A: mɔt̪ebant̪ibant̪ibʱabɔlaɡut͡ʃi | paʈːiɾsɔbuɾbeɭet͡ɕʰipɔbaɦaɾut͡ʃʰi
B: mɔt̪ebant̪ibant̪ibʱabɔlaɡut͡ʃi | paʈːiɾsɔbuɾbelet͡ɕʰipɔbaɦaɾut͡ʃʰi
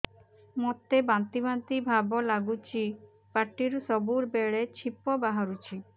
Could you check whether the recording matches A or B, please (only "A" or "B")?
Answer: A